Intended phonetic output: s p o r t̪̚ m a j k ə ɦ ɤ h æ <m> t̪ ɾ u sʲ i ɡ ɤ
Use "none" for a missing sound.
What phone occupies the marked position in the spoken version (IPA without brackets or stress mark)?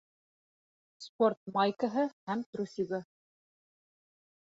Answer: m